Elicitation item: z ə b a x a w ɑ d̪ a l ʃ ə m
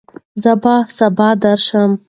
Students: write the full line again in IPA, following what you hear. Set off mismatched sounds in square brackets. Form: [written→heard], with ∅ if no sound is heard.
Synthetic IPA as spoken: z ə b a [x→s] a [w→b] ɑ d̪ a [l→ɾ] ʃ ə m